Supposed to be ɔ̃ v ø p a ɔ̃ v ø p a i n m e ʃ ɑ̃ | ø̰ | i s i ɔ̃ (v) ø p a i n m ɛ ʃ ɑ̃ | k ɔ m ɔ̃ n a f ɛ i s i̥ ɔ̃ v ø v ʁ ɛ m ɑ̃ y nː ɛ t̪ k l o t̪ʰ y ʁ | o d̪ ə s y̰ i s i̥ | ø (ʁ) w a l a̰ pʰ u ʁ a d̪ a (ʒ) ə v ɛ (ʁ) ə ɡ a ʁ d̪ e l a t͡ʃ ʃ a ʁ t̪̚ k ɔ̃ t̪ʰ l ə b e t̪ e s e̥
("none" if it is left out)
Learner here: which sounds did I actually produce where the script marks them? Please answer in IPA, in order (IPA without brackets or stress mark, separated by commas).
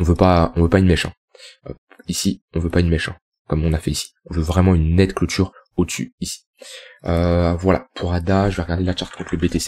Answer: v, v, ʒ, ʁ